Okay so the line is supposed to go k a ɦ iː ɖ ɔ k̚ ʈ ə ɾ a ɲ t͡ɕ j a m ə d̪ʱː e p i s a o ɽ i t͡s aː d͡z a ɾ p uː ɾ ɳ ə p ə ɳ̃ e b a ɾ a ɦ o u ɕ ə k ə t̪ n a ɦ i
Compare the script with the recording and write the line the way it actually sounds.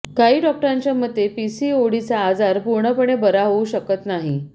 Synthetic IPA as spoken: k a ɦ iː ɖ ɔ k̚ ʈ ə ɾ a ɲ t͡ɕ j a m ə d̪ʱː e p i s i o ɽ i t͡s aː d͡z a ɾ p u ɾ ɳ ə p ə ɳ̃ e b ə ɾ a ɦ o u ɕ ə k ə t̪ n a ɦ i